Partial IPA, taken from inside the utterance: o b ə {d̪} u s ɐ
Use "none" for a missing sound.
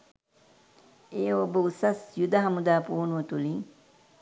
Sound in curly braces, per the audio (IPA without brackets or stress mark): none